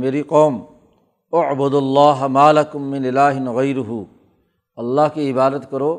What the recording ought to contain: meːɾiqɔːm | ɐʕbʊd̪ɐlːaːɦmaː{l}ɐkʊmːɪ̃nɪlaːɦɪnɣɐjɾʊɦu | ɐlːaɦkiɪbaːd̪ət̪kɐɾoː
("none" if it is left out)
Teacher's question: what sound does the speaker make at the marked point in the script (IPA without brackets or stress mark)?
l